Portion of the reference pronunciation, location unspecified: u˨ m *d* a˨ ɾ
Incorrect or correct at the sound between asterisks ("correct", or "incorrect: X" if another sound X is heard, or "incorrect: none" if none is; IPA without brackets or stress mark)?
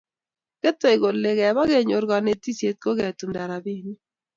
correct